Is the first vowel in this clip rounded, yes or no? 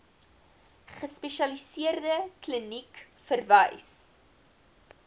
no